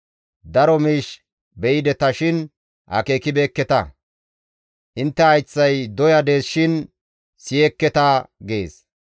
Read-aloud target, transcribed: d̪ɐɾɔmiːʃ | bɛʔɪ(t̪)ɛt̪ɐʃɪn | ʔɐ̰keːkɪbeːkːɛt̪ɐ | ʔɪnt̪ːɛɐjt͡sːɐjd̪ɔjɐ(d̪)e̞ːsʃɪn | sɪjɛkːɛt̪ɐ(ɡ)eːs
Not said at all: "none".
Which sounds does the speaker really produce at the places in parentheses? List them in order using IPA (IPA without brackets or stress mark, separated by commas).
d̪, d̪, ɡ